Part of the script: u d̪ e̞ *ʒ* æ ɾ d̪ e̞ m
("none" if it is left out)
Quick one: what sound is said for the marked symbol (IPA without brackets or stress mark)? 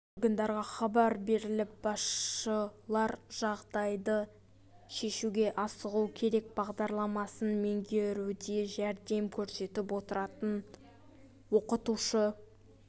ʒ